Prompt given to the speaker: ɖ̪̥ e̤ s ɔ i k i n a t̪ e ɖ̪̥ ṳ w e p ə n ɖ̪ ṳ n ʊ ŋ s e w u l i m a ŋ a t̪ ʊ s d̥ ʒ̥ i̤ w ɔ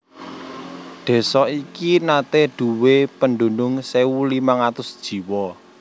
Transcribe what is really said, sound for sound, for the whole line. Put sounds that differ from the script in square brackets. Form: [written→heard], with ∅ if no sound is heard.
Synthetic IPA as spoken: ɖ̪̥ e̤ s ɔ i k i n a t̪ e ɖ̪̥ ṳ w e p ə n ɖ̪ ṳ n ʊ ŋ s e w u l i m a ŋ a t̪ ʊ s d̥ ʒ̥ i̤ w ɔ